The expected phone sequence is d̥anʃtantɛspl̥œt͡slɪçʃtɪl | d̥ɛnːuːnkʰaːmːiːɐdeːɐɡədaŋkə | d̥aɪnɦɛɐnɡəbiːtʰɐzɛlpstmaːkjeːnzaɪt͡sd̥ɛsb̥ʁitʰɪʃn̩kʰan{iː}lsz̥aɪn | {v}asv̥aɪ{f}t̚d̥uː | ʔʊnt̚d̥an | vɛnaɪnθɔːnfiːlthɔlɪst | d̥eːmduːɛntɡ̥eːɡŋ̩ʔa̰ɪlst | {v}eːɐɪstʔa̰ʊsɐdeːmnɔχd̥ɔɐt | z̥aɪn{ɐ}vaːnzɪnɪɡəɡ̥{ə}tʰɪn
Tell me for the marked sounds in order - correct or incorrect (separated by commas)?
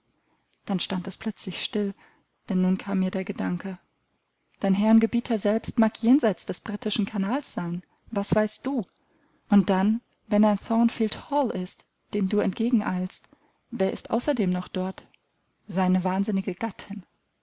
incorrect, correct, incorrect, correct, incorrect, incorrect